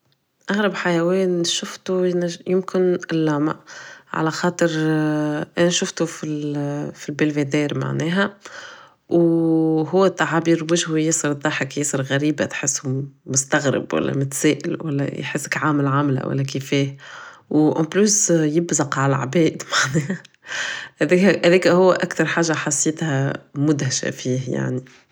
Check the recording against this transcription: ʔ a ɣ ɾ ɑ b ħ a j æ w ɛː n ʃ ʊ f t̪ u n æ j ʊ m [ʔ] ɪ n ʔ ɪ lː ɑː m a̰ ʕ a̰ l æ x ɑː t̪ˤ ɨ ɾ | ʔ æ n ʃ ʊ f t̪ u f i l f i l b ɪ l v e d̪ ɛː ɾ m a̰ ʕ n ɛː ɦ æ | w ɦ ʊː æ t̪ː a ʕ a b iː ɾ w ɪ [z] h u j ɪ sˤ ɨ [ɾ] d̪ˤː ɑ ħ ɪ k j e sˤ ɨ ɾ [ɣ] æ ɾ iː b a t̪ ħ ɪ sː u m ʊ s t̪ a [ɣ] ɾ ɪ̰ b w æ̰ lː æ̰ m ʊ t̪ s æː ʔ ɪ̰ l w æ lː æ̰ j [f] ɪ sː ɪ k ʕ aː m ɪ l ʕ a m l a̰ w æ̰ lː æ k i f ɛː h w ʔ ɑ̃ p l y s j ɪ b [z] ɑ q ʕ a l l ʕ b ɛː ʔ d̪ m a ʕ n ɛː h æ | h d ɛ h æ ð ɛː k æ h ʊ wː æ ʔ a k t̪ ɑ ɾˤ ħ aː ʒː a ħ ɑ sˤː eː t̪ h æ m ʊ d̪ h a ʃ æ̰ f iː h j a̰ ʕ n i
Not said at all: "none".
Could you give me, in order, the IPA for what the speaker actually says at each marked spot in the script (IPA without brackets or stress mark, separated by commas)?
k, ʒ, ɾ, ɣ, ɣ, ħ, z